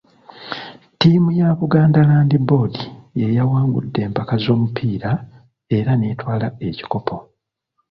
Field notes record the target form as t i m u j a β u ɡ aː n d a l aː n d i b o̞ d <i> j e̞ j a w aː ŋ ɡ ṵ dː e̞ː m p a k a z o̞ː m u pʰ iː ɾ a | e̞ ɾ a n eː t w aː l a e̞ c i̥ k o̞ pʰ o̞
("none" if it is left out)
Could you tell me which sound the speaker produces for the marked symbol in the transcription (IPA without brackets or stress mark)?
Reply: i